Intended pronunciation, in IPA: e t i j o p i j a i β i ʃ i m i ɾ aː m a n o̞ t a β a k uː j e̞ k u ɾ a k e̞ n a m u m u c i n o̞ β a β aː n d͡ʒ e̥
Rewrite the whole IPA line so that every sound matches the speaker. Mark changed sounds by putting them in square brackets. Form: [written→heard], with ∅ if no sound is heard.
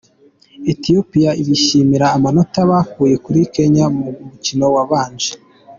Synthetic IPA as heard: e t i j o p i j a i β i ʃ i m i ɾ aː m a n o̞ t a β a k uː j e̞ k u ɾ [a→i] k e̞ [n→ɲ] a m u m u c i n o̞ [β→w] a β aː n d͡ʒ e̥

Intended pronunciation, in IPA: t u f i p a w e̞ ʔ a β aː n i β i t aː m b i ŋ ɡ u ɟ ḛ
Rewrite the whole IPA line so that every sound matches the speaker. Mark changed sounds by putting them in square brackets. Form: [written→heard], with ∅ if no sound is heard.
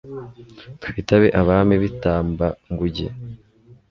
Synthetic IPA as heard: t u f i [p→t] a [w→β] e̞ ʔ a β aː [n→m] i β i t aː m b [i→a] ŋ ɡ u ɟ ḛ

